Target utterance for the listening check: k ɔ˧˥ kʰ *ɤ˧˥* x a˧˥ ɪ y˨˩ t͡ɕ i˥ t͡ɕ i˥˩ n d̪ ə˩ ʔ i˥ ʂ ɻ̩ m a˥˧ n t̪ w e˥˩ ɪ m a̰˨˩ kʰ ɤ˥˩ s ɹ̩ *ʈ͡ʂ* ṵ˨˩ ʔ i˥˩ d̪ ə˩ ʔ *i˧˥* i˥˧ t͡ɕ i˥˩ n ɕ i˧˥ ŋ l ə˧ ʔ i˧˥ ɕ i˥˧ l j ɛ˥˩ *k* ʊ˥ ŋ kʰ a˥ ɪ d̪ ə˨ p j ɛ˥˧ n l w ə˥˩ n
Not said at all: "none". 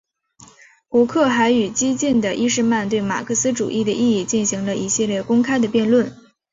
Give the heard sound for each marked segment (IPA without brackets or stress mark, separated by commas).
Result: ɤ˥˩, ʈ͡ʂ, i˥˧, k